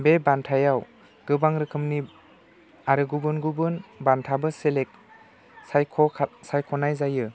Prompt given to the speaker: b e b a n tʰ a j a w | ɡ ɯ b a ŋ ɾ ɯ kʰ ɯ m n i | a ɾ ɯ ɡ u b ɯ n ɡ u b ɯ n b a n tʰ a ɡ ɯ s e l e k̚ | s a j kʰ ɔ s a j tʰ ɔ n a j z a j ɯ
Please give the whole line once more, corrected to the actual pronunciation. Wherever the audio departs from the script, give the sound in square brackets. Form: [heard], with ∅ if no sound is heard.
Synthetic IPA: b e b a n tʰ a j a w | ɡ ɯ b a ŋ ɾ ɯ kʰ ɯ m n i | a ɾ ɯ ɡ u b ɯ n ɡ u b ɯ n b a n tʰ a [b] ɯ s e l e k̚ | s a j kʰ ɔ s a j [kʰ] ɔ n a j z a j ɯ